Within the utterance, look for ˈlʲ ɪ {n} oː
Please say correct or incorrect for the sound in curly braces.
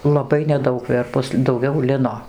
correct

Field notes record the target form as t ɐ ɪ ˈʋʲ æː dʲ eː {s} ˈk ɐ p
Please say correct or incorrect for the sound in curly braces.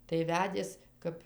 correct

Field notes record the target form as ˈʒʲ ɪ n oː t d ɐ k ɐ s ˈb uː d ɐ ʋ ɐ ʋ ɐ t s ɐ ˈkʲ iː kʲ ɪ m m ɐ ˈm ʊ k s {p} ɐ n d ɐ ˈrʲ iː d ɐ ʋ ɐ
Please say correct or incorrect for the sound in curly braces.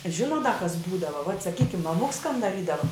incorrect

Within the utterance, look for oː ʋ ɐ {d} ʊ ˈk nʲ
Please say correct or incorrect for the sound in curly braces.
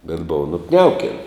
incorrect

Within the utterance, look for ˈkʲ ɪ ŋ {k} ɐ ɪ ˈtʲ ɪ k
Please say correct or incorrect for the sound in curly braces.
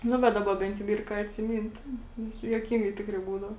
incorrect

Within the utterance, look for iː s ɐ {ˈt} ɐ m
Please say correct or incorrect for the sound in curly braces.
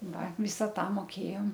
correct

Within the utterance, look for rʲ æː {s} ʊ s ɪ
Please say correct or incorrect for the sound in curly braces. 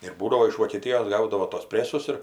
correct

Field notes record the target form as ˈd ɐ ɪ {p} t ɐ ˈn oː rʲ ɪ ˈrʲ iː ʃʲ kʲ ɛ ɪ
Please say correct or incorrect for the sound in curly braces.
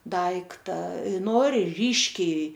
incorrect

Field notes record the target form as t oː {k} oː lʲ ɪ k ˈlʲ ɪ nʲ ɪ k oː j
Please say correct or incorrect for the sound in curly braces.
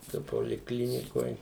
incorrect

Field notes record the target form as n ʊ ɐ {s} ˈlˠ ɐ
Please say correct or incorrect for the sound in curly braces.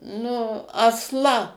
correct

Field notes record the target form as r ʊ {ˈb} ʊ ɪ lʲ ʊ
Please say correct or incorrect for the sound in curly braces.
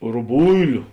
correct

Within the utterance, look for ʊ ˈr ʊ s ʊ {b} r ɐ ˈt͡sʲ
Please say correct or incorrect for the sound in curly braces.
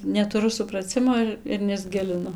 incorrect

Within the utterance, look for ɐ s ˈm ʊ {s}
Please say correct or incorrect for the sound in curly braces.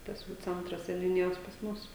correct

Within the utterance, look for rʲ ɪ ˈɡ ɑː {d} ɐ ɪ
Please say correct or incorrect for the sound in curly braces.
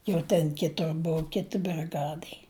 correct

